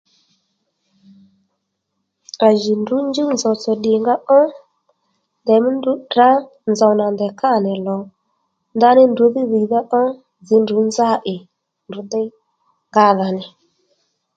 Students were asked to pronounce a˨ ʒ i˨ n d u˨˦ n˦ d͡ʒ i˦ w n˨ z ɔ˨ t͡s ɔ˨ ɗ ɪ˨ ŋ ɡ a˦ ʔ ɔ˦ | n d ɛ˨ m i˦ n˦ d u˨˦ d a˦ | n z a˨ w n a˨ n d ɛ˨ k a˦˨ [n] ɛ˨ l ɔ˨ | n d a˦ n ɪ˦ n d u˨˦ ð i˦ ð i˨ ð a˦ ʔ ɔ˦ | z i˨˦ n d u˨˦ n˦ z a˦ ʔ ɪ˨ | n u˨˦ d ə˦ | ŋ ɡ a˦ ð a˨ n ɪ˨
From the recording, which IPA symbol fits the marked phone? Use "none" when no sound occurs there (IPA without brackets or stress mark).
n